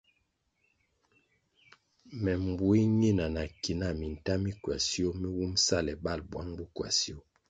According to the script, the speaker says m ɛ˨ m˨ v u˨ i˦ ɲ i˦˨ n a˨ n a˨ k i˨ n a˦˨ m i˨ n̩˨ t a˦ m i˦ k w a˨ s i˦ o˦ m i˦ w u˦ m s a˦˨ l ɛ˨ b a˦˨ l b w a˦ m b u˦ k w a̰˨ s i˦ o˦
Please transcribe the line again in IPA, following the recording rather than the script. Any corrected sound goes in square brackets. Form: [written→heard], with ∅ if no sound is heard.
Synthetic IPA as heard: m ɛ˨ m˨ [v→b] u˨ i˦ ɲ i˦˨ n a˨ n a˨ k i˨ n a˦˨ m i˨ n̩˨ t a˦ m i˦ k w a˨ s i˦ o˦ m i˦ w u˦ m s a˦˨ l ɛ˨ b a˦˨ l b w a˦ [m→ŋ] b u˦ k w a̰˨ s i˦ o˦